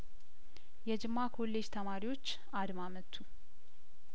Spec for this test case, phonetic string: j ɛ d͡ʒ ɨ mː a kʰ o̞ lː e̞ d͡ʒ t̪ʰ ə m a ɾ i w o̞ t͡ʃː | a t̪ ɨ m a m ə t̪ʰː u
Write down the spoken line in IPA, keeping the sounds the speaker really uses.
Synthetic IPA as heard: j ɛ d͡ʒ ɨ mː a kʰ o̞ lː e̞ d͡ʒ t̪ʰ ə m a ɾ i w o̞ t͡ʃː | a d̪ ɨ m a m ə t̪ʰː u